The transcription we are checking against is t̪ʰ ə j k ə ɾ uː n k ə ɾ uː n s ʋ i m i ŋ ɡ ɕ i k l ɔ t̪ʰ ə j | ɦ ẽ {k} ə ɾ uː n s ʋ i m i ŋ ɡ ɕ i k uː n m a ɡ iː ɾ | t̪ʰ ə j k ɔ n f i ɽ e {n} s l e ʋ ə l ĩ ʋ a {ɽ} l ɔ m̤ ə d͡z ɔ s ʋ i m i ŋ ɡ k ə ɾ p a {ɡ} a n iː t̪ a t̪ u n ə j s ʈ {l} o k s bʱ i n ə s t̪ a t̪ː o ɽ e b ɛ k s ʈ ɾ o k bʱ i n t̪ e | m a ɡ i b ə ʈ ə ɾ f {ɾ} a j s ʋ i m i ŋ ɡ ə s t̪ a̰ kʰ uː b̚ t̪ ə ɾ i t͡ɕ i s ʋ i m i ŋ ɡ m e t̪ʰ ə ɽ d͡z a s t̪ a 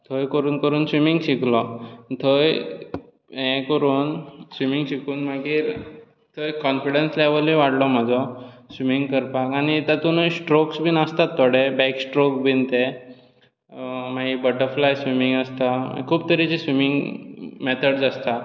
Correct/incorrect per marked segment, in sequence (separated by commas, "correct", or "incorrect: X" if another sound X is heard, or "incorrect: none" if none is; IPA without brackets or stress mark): correct, correct, correct, incorrect: k, incorrect: ɾ, incorrect: l